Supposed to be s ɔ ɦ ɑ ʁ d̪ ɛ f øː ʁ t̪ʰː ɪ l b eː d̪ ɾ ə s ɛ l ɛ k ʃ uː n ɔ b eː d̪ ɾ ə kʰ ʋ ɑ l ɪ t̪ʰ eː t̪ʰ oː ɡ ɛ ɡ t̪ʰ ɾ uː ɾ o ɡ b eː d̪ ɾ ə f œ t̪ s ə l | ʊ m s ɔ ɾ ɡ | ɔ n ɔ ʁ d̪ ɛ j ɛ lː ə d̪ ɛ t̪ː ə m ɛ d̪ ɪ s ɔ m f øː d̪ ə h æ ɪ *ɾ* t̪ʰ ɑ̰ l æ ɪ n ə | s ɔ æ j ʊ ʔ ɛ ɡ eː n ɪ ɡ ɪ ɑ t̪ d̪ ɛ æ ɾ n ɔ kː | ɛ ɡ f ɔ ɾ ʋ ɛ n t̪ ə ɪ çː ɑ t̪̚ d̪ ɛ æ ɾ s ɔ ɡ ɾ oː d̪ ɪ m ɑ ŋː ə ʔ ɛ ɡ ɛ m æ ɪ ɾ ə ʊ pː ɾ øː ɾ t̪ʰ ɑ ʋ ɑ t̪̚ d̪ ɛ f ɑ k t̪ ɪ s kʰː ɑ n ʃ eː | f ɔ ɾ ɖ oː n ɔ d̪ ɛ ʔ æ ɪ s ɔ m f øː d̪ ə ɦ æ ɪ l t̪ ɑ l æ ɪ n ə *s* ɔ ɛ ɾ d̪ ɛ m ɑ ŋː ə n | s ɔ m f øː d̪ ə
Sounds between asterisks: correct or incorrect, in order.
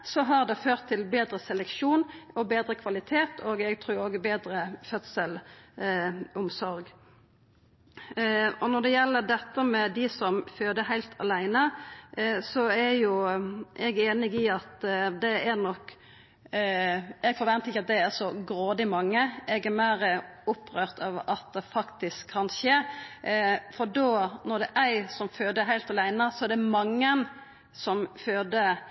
incorrect: l, correct

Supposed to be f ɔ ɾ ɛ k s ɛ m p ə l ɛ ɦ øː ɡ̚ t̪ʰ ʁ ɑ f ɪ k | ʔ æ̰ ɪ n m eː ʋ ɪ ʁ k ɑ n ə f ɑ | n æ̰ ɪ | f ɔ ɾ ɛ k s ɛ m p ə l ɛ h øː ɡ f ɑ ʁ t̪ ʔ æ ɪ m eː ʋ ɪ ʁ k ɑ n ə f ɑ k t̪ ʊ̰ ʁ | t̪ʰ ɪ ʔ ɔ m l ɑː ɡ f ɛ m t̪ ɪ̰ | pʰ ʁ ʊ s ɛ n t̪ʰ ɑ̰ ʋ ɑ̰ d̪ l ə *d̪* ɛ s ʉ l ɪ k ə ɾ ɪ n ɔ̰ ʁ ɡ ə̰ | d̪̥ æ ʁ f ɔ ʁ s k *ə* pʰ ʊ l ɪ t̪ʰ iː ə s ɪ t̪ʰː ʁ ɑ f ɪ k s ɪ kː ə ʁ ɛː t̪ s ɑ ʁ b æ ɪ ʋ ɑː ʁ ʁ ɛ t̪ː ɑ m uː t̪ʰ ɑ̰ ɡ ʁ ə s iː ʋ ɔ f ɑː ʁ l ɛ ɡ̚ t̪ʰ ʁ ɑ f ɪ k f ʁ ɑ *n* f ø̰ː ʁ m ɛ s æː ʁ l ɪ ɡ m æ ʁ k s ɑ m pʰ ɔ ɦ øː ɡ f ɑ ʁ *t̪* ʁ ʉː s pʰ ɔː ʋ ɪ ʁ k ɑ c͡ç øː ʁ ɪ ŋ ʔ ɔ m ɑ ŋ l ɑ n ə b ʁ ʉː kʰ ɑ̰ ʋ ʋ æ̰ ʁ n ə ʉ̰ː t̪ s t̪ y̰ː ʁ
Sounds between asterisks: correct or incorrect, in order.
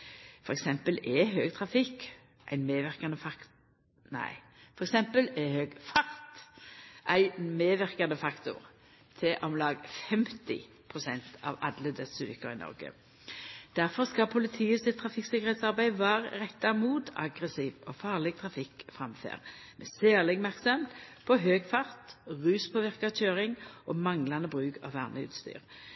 correct, incorrect: ɑ, incorrect: m, correct

